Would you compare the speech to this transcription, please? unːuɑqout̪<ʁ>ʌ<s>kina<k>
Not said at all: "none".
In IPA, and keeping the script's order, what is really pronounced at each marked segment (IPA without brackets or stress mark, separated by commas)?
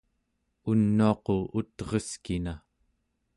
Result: ʁ, s, none